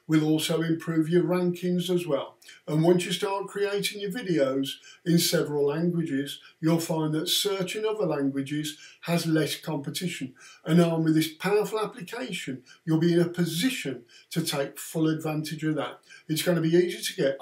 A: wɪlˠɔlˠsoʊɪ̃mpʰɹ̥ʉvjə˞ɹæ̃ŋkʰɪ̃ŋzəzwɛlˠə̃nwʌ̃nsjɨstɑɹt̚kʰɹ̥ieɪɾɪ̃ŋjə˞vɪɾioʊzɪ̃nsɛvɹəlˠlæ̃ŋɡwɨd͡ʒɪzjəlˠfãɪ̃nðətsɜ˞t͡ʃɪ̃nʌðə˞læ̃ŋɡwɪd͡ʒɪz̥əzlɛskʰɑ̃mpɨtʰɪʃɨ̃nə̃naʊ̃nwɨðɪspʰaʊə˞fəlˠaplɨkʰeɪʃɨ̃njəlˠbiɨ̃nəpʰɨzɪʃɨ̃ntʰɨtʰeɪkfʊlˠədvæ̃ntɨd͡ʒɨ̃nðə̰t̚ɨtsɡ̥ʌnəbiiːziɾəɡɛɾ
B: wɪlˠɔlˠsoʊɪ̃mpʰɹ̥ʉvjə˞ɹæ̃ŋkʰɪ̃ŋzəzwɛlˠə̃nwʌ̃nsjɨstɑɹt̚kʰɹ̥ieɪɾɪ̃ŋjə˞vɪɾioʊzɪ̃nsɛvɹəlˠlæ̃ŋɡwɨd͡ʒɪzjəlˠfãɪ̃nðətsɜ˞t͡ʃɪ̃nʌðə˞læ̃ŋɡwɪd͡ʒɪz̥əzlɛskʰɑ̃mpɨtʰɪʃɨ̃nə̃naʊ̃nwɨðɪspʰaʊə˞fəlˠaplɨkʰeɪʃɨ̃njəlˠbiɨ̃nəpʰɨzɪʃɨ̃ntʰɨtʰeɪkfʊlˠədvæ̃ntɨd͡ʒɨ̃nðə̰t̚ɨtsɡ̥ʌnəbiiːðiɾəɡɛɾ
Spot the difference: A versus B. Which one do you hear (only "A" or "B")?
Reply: A